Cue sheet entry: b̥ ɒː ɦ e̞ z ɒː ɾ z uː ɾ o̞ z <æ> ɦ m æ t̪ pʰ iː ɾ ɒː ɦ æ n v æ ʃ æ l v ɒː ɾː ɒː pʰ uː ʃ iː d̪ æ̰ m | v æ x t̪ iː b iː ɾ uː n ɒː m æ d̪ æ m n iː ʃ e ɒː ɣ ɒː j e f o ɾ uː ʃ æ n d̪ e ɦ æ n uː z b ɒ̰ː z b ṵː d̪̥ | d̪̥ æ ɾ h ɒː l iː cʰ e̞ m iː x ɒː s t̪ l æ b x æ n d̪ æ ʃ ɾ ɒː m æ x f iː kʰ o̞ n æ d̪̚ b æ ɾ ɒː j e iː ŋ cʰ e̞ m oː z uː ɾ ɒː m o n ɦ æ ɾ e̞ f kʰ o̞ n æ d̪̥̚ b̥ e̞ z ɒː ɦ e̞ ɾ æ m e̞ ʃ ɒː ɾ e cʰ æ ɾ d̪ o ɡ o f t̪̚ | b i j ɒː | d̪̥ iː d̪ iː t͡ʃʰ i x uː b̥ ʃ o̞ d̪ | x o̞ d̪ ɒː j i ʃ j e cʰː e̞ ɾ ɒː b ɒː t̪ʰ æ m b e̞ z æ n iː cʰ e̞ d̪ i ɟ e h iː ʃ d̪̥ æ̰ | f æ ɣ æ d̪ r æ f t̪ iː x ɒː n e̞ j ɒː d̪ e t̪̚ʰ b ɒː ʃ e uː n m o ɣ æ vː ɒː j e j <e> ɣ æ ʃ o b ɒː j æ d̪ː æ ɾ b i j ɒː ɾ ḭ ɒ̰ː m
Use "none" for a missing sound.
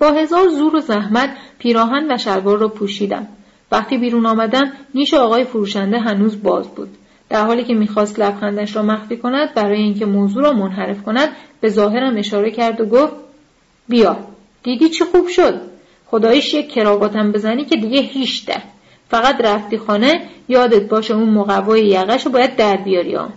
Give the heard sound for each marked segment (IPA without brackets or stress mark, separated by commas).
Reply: æ, æ